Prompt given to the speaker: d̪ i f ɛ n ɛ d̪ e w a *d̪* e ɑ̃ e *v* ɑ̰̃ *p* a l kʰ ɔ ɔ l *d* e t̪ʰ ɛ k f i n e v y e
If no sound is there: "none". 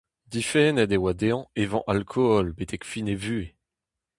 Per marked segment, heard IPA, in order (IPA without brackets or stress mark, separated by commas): d̪, v, ʔ, b